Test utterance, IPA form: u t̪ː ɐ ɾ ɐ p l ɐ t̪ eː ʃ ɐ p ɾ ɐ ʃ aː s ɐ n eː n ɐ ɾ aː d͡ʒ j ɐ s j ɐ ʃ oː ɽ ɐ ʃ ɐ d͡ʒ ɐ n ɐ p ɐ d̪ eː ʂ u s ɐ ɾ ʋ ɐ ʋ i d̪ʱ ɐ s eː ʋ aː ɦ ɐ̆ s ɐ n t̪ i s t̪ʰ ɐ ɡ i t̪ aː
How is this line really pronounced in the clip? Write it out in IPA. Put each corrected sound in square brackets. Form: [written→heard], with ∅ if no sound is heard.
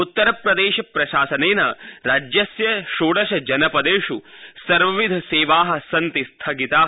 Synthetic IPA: u t̪ː ɐ ɾ ɐ p [l→ɾ] ɐ [t̪→d̪] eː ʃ ɐ p ɾ ɐ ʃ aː s ɐ n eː n ɐ ɾ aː d͡ʒ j ɐ s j ɐ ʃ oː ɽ ɐ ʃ ɐ d͡ʒ ɐ n ɐ p ɐ d̪ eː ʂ u s ɐ ɾ ʋ ɐ ʋ i d̪ʱ ɐ s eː ʋ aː ɦ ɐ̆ s ɐ n t̪ i s t̪ʰ ɐ ɡ i t̪ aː